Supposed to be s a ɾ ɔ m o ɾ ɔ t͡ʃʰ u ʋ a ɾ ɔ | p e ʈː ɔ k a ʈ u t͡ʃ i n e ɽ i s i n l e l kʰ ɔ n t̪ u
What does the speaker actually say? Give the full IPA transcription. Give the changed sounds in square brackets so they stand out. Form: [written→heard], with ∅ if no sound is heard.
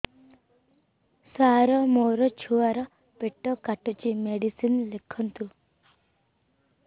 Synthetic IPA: s a ɾ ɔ m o ɾ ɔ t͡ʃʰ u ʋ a ɾ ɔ | p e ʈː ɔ k a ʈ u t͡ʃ i [n→m] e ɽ i s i n l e [l→∅] kʰ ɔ n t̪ u